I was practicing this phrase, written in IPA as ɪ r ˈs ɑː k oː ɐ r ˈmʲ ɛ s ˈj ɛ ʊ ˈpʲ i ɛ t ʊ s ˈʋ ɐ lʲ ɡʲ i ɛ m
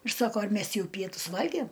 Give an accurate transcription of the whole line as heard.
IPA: ɪ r ˈs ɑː k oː ɐ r ˈmʲ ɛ s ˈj ɛ ʊ ˈpʲ i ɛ t ʊ s ˈʋ ɐ lʲ ɡʲ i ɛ m